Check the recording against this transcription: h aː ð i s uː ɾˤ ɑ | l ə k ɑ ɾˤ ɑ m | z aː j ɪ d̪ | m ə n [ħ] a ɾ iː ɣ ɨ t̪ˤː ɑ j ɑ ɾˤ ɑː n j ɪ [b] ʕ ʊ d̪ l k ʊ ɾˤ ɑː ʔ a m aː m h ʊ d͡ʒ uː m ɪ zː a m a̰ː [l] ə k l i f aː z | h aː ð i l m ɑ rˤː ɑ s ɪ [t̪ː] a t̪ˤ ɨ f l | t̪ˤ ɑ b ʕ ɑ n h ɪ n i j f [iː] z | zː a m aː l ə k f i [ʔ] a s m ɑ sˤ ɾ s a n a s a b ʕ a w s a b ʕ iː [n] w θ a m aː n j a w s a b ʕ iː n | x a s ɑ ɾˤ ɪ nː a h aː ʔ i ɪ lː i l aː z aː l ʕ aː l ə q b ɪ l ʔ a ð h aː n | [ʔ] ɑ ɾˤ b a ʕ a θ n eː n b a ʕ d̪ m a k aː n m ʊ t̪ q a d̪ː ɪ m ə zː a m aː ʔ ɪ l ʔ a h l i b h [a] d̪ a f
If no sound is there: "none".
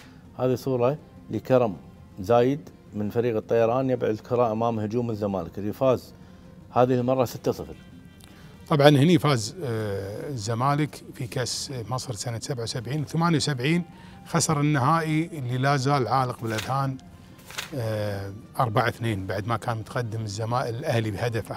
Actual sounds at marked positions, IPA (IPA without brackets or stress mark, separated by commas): f, b, l, t̪ː, aː, k, n, ʔ, a